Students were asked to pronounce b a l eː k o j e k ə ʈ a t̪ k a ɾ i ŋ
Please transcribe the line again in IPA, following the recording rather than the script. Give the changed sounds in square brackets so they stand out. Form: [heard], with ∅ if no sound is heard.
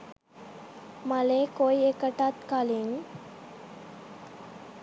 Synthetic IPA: [m] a l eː k o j e k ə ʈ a t̪ k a [l] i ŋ